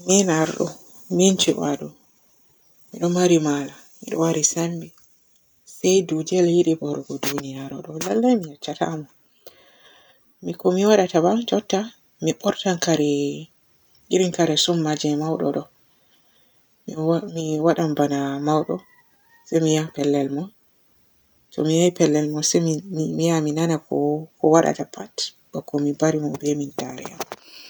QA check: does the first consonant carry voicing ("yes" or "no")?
yes